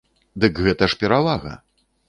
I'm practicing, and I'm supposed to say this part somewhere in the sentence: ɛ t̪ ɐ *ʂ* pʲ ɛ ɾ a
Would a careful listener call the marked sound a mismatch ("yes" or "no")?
no